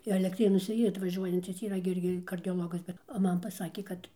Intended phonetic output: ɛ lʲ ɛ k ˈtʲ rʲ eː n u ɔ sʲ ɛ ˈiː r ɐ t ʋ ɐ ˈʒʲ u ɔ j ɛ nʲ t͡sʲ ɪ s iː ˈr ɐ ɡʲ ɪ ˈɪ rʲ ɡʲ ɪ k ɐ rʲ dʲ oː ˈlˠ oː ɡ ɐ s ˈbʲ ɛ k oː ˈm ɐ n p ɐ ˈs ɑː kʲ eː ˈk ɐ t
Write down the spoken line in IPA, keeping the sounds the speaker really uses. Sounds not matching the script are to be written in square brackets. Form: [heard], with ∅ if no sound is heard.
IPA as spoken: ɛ lʲ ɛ k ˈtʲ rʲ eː n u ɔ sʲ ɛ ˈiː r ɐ t ʋ ɐ ˈʒʲ u ɔ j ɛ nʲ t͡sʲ ɪ s iː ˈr ɐ ɡʲ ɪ ˈɪ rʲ ɡʲ ɪ k ɐ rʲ dʲ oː ˈlˠ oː ɡ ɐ s ˈbʲ ɛ [t] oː ˈm ɐ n p ɐ ˈs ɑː kʲ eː ˈk ɐ t